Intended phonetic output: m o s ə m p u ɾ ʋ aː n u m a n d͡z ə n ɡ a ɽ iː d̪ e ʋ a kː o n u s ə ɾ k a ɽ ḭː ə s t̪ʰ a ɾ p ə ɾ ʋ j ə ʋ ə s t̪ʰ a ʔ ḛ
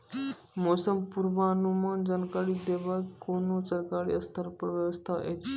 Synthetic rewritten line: m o s ə m p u ɾ ʋ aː n u m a n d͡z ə n k a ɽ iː d̪ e ʋ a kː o n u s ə ɾ k a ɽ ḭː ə s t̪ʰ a ɾ p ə ɾ ʋ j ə ʋ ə s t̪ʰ a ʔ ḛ

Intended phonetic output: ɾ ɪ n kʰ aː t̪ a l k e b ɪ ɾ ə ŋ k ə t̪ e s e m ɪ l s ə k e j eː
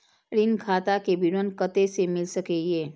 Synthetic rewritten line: ɾ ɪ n kʰ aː t̪ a k e b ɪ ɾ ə n k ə t̪ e s e m ɪ l s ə k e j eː

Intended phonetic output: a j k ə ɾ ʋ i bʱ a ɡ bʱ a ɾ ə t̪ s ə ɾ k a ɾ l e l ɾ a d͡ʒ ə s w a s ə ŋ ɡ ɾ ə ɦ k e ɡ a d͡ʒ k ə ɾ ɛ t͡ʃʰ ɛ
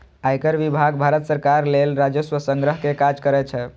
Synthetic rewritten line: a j k ə ɾ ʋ i bʱ a ɡ bʱ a ɾ ə t̪ s ə ɾ k a ɾ l e l ɾ a d͡ʒ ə s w ə s ə ŋ ɡ ɾ ə ɦ k e k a d͡ʒ k ə ɾ ɛ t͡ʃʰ ɛ

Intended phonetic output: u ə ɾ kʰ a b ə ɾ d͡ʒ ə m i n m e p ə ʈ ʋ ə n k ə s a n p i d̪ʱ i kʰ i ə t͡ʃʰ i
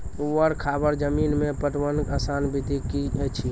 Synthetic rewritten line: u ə ɾ kʰ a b ə ɾ d͡ʒ ə m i n m e p ə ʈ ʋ ə n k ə s a n b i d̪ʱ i k i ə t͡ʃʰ i

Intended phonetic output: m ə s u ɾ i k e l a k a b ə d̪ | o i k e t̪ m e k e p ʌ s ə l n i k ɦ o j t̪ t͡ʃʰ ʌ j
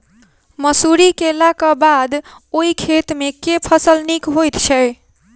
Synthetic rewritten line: m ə s u ɾ i k e l a k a b a d̪ | o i kʰ e t̪ m e k e pʰ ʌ s ə l n i k ɦ o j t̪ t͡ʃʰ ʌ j

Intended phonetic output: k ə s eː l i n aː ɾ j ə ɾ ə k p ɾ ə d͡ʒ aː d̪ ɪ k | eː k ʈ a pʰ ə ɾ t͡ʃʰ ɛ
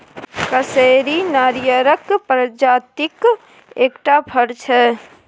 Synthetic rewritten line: k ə s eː ɾ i n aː ɾ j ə ɾ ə k p ɾ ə d͡ʒ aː t̪ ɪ k | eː k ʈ a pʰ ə ɾ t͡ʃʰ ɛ

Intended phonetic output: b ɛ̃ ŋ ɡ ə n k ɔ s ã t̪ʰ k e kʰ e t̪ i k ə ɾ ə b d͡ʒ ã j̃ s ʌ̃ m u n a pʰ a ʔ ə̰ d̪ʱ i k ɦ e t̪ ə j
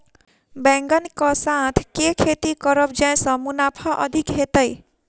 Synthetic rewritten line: b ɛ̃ ŋ ɡ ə n k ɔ s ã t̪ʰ k e kʰ e t̪ i k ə ɾ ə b d͡ʒ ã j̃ s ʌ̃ m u n a pʰ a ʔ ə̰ d̪ʱ i k ɦ e t̪ ə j

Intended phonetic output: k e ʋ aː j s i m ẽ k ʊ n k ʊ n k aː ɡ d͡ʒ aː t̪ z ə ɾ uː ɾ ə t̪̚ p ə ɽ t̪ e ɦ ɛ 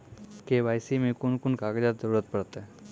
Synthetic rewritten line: k e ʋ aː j s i m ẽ k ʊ n k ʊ n k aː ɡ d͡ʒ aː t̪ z ə ɾ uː ɾ ə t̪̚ p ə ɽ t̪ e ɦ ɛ

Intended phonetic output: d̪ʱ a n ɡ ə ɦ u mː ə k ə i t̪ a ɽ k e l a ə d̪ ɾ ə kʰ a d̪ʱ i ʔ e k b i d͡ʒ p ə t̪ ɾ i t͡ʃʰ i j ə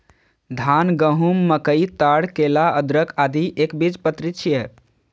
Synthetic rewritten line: d̪ʱ a n ɡ ə ɦ u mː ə k ə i t̪ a ɽ k e l a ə d̪ ɾ ə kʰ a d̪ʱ i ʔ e k b i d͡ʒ p ə t̪ ɾ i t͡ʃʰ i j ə

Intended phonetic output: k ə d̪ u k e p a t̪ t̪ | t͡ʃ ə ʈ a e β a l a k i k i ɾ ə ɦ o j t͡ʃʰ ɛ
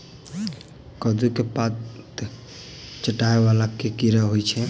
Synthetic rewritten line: k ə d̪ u k e p a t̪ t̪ | t͡ʃ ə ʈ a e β a l a k e k i ɾ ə ɦ o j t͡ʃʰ ɛ

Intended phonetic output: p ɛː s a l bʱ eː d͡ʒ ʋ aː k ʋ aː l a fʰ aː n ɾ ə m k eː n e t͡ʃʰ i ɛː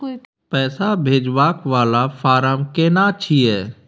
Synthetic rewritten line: p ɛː s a bʱ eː d͡ʒ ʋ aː k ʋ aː l a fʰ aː ɾ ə m k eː n a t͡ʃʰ i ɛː

